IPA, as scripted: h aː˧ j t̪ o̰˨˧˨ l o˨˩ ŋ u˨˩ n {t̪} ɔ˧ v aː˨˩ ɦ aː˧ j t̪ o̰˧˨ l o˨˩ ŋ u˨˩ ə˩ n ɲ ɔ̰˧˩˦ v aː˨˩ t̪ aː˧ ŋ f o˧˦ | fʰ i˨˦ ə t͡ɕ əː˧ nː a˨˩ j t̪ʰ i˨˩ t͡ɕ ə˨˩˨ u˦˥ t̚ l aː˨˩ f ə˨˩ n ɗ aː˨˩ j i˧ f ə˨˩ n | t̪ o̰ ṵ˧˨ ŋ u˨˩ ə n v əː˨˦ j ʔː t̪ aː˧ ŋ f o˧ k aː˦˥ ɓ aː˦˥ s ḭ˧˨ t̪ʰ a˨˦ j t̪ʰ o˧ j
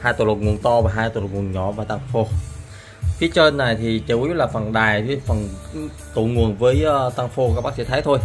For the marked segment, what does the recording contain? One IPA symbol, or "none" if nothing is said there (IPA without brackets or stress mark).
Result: t̪